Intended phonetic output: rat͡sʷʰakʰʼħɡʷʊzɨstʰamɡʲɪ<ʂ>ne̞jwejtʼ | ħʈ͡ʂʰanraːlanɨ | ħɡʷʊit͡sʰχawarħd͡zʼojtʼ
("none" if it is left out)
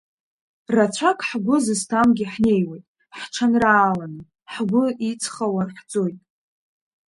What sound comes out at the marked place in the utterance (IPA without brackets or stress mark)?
ħ